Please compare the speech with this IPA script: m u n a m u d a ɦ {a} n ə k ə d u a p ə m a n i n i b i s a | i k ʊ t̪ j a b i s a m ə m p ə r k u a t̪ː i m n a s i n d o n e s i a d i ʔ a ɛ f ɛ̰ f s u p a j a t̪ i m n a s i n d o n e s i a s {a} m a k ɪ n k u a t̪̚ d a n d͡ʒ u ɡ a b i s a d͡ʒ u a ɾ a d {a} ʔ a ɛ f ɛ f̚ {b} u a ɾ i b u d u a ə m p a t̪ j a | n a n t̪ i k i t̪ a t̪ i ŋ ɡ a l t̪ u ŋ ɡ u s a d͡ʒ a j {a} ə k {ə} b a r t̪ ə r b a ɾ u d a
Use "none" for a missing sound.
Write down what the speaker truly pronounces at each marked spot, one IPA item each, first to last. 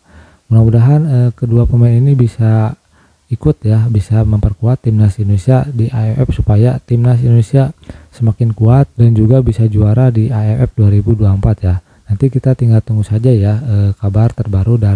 a, ə, i, d, a, a

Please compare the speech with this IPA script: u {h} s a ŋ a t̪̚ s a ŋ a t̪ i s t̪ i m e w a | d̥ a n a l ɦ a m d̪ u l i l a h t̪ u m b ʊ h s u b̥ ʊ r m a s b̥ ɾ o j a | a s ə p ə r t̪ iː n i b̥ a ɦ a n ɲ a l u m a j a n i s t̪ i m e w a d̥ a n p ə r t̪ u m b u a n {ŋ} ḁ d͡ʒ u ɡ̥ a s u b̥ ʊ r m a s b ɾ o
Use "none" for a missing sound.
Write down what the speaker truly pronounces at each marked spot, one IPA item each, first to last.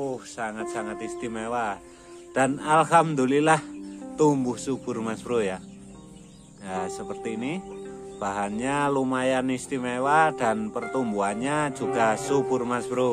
h, ɲ

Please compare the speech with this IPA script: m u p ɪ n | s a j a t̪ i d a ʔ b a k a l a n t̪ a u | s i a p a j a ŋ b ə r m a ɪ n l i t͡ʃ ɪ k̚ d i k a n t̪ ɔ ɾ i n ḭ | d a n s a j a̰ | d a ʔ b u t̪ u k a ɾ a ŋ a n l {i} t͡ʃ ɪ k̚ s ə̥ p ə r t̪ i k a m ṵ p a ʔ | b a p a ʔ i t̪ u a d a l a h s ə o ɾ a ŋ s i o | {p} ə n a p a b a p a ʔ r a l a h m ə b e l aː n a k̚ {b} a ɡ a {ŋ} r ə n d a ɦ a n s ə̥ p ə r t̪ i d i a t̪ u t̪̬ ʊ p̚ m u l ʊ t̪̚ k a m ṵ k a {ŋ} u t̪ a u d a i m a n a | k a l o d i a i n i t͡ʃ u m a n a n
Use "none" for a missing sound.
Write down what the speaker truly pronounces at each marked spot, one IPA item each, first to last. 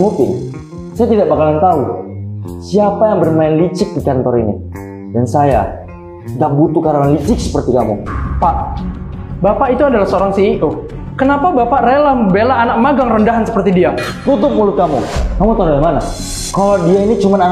i, k, m, ŋ, m

